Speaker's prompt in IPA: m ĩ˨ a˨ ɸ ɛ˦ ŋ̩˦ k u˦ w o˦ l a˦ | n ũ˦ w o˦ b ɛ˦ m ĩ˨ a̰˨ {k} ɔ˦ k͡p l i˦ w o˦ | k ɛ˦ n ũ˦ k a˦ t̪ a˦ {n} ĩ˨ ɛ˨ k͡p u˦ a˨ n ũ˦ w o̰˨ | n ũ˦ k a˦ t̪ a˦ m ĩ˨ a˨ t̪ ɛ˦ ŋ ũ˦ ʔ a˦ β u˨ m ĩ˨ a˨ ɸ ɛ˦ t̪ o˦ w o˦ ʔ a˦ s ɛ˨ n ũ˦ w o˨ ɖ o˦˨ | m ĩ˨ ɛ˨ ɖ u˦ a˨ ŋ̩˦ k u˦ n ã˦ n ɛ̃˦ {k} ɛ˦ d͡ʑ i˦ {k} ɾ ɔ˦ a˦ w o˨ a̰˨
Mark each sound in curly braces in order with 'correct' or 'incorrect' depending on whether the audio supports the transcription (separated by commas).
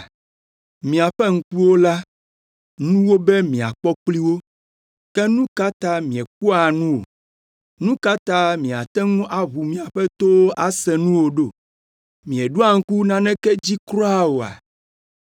incorrect, incorrect, correct, correct